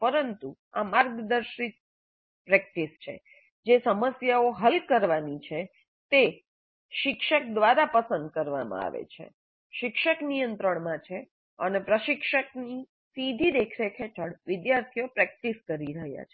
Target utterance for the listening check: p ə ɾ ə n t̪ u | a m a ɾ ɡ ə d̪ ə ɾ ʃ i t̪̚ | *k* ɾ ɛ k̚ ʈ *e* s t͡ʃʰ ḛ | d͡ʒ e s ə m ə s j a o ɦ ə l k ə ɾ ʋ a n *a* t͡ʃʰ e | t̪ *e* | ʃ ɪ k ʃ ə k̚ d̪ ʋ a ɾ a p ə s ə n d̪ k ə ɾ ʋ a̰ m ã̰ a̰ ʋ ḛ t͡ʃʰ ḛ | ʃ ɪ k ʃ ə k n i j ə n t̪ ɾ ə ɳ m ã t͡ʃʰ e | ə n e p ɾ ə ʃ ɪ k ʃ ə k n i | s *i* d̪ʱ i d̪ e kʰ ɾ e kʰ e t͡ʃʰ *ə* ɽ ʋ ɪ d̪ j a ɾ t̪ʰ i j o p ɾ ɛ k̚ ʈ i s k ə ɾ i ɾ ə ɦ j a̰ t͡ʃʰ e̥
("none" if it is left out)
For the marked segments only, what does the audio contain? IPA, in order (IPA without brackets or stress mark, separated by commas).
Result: p, i, i, e, i, ə